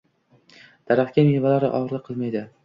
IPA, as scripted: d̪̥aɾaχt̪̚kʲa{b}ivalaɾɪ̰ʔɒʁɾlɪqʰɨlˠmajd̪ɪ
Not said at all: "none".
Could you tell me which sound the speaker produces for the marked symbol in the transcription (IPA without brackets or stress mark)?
m